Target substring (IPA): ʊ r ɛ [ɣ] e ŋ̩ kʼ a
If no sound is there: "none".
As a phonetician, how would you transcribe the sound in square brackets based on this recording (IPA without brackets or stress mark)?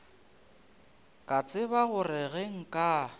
ɣ